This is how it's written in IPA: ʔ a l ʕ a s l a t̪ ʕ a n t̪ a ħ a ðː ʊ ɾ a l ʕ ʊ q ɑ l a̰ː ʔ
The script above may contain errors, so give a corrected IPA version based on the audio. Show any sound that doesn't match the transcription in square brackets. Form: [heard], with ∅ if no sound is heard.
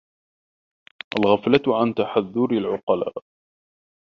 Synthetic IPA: ʔ a l [ɣ] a [f] l a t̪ ʕ a n t̪ a ħ a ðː ʊ ɾ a l ʕ ʊ q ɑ l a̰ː ʔ